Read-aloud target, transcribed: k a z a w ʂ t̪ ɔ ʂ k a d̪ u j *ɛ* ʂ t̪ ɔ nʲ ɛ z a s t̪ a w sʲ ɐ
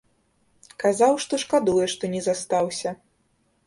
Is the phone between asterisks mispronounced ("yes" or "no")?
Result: no